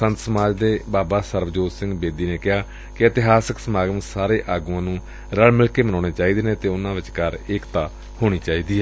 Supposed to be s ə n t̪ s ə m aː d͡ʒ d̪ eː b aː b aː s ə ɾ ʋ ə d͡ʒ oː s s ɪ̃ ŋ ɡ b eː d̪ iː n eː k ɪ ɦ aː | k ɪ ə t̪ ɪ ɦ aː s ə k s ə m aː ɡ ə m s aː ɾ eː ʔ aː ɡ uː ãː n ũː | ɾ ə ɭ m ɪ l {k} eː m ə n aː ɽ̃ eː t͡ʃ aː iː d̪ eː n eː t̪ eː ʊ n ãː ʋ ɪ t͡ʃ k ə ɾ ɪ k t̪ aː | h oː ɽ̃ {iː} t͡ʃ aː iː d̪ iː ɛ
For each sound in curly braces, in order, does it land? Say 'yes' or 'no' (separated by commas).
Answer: yes, yes